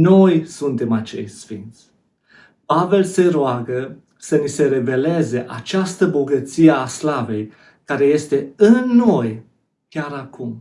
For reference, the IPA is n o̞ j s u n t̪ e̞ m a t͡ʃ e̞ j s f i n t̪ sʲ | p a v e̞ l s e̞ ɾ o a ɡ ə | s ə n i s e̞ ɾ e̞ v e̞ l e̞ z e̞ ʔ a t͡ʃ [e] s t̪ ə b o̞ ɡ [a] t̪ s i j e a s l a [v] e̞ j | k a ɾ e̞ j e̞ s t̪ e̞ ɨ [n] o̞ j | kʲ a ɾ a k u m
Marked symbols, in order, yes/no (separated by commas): no, no, yes, no